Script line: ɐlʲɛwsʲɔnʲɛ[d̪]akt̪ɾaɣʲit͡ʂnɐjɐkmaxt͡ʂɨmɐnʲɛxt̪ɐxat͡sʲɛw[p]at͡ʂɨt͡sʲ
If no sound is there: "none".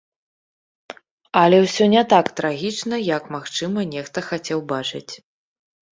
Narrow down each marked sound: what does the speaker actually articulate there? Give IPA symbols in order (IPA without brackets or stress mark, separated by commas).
t̪, b